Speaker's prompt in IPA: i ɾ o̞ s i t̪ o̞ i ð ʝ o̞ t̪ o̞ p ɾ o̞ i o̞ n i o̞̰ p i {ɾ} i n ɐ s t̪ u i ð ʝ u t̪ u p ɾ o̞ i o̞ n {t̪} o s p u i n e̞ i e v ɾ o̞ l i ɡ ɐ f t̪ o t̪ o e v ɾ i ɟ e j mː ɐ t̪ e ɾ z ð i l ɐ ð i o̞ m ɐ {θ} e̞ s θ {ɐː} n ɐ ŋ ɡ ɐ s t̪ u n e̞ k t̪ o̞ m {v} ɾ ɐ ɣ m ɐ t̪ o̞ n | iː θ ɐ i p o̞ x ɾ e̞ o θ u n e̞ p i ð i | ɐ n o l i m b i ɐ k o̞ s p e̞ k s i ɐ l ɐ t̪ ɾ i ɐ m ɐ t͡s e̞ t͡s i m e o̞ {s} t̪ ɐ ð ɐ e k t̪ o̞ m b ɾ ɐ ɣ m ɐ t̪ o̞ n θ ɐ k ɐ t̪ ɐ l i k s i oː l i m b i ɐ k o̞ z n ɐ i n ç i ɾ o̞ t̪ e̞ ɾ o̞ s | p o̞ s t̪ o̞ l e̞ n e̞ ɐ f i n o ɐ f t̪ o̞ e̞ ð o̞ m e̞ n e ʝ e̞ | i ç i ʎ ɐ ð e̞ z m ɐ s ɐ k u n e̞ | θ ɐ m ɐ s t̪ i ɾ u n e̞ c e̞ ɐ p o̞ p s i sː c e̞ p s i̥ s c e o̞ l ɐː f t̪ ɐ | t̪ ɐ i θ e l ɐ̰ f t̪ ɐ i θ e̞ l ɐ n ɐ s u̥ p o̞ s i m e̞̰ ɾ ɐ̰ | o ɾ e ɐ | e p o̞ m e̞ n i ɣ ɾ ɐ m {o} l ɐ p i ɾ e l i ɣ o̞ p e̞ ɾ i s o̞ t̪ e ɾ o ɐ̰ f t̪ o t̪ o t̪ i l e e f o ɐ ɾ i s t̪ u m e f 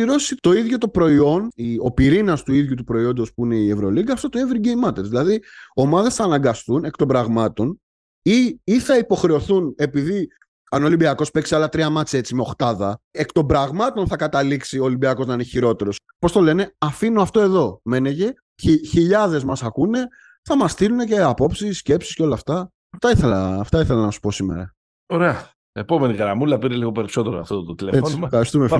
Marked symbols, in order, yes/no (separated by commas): yes, no, no, yes, no, no, no